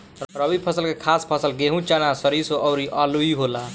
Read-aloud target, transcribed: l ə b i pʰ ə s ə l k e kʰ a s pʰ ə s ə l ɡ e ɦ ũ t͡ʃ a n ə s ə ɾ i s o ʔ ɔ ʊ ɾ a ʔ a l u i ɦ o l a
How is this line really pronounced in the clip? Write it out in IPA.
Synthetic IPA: ɾ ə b i pʰ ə s ə l k e kʰ a s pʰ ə s ə l ɡ e ɦ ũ t͡ʃ a n a s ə ɾ i s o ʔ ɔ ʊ ɾ i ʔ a l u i ɦ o l a